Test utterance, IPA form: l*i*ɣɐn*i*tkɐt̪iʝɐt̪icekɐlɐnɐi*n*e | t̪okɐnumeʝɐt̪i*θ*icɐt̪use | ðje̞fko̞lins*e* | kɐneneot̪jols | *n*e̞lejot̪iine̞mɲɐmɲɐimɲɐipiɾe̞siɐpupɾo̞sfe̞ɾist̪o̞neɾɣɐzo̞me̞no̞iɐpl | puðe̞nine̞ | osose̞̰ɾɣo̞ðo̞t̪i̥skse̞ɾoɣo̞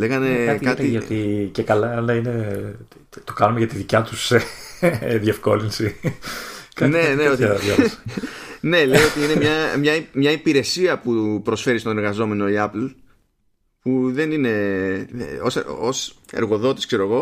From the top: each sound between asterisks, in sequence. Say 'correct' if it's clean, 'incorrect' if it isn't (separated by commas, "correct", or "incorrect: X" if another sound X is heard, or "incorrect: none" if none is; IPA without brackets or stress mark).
incorrect: e, incorrect: e, correct, incorrect: ð, incorrect: i, correct